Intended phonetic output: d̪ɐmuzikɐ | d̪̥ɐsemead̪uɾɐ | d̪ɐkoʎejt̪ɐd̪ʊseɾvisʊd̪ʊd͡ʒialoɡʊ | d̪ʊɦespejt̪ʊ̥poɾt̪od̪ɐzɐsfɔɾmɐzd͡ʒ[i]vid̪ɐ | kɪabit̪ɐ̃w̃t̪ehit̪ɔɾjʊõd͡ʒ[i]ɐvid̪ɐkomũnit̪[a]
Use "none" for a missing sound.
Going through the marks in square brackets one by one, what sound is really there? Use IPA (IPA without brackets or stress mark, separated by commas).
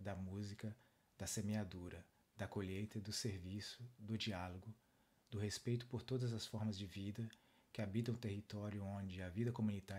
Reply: ɪ, ɪ, a